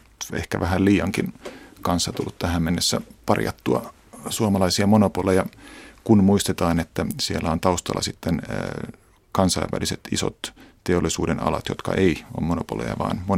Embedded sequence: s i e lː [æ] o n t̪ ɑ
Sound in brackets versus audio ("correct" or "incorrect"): correct